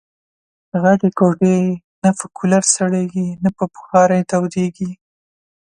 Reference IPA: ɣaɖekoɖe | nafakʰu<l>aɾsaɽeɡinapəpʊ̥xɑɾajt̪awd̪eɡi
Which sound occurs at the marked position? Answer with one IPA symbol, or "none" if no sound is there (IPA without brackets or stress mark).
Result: l